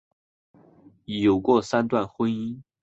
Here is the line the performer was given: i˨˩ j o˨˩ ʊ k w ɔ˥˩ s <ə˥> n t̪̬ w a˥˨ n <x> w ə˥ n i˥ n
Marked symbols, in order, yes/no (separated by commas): no, yes